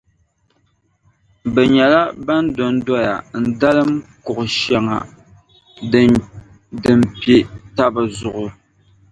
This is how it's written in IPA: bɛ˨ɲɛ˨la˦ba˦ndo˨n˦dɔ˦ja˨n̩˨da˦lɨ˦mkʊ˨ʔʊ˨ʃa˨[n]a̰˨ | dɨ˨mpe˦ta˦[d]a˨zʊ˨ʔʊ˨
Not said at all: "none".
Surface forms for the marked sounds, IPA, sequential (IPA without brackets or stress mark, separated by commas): ŋ, b